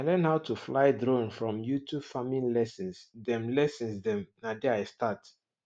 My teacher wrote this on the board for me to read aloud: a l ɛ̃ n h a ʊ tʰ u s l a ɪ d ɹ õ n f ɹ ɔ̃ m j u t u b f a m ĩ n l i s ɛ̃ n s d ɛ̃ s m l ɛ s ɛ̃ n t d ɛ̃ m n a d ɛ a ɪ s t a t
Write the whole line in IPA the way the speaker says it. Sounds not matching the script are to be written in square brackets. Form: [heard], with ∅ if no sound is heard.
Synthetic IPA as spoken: a l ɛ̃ n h a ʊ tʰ u [f] l a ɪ d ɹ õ n f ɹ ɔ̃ m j u t u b f a m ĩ n l [ɛ] s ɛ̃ n s d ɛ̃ [∅] m l ɛ s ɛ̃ n [s] d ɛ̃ m n a d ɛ a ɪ s t a t

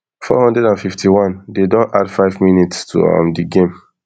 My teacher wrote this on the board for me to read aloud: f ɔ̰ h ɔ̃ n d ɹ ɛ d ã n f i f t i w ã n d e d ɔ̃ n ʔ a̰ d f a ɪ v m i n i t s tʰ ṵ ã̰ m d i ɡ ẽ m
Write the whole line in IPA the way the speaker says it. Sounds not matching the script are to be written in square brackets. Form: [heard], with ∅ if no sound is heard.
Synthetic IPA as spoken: f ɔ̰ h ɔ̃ n d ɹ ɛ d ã n f i f t i w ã n d e d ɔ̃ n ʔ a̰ d f a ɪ v m i n i t s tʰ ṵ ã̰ m d i ɡ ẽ m

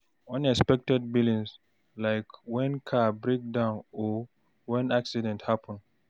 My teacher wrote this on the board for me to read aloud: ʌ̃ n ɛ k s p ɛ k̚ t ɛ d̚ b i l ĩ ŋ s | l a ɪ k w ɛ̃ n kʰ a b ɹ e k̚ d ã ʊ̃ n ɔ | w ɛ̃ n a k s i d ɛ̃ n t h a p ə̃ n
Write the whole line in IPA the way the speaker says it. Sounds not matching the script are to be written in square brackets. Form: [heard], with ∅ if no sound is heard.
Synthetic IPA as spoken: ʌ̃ n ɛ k s p ɛ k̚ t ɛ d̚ b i l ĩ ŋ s | l a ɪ k w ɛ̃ n kʰ a b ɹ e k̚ d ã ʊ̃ n ɔ | w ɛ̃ n a k s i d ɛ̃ n t h a p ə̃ n

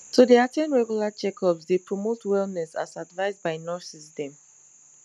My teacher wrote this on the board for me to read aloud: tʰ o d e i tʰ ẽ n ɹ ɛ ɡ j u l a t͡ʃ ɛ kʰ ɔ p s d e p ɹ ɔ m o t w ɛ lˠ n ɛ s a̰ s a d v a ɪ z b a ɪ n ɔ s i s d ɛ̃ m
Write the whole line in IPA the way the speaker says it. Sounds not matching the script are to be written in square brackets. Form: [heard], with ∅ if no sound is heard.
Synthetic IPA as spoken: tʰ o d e [a] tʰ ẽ n ɹ ɛ ɡ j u l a t͡ʃ ɛ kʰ ɔ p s d e p ɹ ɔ m o t w ɛ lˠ n ɛ s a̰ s a d v a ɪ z b a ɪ n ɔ s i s d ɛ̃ m

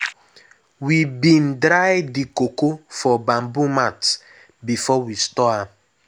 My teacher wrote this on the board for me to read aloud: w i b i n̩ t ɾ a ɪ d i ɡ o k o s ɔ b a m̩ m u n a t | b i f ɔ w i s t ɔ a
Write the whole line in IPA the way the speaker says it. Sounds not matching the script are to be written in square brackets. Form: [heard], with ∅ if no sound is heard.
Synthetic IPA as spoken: w i b i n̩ [d] ɾ a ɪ d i [k] o k o [f] ɔ b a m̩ [b] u [m] a t | b i f ɔ w i s t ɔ a

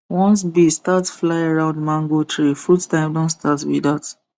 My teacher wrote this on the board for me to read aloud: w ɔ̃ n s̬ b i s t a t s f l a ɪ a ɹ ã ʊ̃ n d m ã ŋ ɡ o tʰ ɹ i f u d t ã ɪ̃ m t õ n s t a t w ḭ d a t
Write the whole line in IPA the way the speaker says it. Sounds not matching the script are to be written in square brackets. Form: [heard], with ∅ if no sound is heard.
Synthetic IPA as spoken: w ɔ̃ n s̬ b i s t a t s f l a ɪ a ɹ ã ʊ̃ n d m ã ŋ ɡ o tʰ ɹ i f u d t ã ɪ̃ m [d] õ n s t a t w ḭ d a t

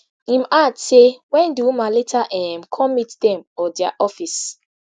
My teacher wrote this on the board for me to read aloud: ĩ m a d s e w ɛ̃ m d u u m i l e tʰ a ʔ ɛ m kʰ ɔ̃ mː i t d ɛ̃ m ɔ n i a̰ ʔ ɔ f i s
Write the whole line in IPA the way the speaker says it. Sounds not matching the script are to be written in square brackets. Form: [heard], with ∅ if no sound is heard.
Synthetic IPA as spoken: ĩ m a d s e w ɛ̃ [n] d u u m [a] l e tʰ a ʔ ɛ m kʰ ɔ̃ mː i t d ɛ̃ m ɔ [d] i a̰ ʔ ɔ f i s

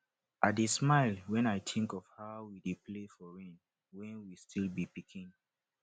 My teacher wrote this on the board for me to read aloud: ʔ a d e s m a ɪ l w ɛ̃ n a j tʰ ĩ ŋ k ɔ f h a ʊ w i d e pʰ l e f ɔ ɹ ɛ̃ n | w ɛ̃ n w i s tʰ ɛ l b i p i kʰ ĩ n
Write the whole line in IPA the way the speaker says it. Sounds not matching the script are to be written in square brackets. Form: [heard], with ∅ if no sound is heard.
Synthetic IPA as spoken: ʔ a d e s m a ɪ l w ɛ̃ n a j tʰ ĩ ŋ k ɔ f h a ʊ w i d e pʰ l e f ɔ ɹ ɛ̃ n | w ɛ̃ n w i s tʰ [i] l b i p i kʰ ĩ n

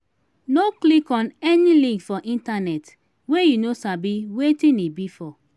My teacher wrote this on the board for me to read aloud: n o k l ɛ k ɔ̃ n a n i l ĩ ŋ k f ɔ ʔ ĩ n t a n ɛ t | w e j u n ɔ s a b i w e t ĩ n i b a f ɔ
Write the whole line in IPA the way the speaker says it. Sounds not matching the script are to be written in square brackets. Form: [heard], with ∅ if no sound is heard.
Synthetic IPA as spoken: n o k l [i] k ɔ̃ n [ɛ] n i l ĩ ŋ k f ɔ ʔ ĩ n t a n ɛ t | w e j u n [o] s a b i w e t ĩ n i b [i] f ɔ

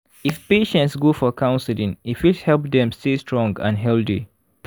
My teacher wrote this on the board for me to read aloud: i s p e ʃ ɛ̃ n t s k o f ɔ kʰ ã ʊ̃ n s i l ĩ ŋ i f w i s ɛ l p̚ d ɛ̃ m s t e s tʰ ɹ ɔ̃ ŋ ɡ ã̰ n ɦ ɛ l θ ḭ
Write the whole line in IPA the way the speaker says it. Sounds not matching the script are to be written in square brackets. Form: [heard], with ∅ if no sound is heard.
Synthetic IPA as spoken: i [f] p e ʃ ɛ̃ n t s [ɡ] o f ɔ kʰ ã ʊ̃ n s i l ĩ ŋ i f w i [h] ɛ l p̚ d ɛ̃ m s t e s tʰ ɹ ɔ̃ ŋ ɡ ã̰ n ɦ ɛ l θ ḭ

